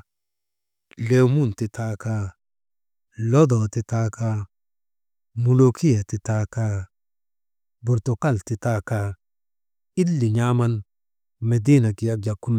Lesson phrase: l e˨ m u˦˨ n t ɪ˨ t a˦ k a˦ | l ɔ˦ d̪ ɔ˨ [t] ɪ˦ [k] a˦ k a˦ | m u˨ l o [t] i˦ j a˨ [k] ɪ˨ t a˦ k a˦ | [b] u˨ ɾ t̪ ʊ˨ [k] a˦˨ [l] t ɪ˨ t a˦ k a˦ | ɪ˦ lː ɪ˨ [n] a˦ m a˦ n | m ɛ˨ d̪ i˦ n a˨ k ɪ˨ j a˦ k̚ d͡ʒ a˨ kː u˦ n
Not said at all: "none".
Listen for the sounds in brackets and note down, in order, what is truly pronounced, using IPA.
t, t, k, t, b, k, l, ɲ

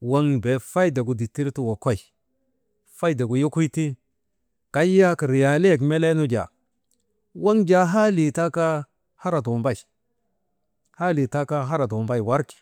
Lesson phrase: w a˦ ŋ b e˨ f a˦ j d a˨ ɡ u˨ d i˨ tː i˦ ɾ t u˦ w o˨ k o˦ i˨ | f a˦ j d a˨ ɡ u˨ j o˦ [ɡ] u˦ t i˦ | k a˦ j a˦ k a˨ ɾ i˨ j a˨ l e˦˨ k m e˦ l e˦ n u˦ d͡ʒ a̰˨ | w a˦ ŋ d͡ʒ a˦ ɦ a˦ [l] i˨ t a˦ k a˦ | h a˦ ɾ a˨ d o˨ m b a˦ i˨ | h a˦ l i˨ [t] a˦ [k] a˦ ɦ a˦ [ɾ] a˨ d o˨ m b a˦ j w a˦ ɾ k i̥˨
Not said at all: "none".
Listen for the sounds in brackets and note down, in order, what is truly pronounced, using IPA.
k, l, t, k, ɾ

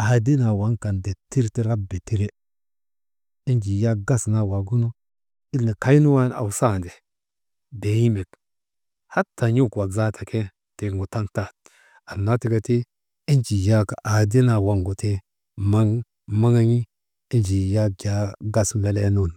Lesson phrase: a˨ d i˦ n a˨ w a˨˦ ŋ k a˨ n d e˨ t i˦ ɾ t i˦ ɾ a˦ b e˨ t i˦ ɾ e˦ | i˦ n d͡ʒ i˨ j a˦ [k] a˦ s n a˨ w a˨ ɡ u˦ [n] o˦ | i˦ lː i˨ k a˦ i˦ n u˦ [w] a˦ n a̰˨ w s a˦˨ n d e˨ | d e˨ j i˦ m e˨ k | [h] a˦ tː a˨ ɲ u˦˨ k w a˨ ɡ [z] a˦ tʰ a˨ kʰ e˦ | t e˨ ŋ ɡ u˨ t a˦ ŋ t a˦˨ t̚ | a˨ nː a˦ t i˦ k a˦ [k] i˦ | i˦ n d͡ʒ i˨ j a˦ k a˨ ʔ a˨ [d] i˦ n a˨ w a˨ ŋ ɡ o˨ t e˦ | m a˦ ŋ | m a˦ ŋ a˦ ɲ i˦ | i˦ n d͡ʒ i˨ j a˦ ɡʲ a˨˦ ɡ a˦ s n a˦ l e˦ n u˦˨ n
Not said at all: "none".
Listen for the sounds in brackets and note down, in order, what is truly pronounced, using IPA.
ɡ, n, w, h, z, t, d

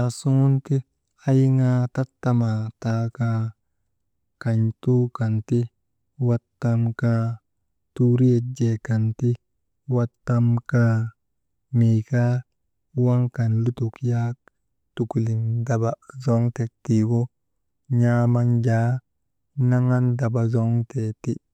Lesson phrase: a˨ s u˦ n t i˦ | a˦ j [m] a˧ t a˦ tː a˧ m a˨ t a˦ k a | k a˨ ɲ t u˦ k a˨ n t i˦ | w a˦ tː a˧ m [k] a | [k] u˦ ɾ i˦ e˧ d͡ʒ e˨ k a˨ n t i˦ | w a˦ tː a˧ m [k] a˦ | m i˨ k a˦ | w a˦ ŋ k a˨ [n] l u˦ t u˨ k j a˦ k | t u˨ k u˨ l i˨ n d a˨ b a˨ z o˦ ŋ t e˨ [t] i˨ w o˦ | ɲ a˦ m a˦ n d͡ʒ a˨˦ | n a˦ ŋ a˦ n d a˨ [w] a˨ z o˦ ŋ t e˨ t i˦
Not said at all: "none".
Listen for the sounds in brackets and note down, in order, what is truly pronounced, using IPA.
ŋ, k, t, k, n, t, b

